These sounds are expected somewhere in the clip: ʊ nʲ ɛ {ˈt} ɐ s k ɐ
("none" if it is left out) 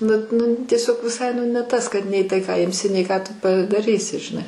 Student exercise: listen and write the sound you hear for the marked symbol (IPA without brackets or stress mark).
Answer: t